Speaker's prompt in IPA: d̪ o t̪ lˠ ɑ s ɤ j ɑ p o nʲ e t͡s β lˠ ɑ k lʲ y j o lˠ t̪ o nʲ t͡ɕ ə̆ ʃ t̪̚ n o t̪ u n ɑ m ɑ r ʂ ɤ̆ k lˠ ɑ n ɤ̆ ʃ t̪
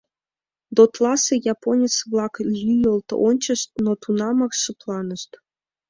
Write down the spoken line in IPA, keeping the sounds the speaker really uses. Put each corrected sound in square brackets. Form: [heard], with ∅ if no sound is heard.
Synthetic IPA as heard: d̪ o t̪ lˠ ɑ s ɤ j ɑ p o nʲ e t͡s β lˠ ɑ k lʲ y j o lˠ t̪ o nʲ t͡ɕ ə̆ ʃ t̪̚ n o t̪ u n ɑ m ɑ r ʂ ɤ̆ [p] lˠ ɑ n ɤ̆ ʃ t̪